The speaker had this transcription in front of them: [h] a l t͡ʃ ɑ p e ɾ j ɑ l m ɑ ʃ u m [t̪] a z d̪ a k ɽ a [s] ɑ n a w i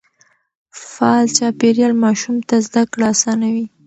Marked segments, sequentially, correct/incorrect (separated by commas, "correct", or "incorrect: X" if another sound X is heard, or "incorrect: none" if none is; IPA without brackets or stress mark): incorrect: f, correct, correct